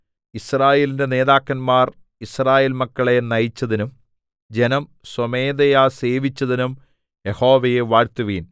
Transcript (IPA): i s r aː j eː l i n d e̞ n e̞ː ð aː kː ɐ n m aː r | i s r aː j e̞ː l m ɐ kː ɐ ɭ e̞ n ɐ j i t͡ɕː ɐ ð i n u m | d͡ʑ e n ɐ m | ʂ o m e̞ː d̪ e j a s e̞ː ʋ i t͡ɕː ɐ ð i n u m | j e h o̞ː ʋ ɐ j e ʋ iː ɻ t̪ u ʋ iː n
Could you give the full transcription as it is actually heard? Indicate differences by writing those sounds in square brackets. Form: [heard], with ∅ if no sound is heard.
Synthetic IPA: i s r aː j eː l i n d e̞ n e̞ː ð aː kː ɐ n m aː r | i s r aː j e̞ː l m ɐ kː ɐ ɭ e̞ n ɐ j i t͡ɕː ɐ ð i n u m | d͡ʑ e n ɐ m | [s] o m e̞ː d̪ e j a s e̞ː ʋ i t͡ɕː ɐ ð i n u m | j e h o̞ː ʋ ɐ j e ʋ [aː] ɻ t̪ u ʋ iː n